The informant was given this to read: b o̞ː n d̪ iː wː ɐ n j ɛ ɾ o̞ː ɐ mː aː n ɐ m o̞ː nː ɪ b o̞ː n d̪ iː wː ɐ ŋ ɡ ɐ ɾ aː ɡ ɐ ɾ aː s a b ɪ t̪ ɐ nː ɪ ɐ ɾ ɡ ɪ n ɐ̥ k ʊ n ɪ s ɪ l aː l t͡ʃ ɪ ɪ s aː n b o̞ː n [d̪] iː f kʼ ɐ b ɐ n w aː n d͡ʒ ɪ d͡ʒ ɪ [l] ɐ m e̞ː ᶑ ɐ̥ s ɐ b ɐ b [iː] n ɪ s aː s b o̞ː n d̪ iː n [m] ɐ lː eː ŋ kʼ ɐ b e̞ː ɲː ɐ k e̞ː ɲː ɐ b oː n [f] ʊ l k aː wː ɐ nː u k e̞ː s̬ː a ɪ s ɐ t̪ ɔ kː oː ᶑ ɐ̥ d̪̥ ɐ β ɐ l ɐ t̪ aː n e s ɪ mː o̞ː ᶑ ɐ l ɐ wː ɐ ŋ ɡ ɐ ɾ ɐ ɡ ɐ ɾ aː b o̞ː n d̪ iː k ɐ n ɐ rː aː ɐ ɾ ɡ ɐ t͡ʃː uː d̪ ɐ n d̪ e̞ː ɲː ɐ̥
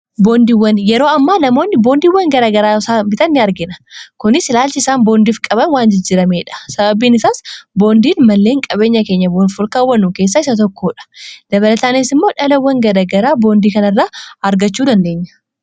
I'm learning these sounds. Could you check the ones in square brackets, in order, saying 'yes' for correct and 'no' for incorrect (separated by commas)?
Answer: yes, no, yes, yes, yes